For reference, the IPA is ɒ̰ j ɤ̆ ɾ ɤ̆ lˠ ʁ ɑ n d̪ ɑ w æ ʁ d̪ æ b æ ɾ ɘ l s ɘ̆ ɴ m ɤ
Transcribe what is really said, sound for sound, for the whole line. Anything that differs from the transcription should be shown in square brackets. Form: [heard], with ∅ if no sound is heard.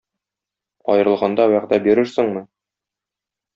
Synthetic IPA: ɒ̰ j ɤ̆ ɾ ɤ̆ lˠ ʁ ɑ n d̪ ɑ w æ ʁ d̪ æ b [i] ɾ ɘ [ɾ] s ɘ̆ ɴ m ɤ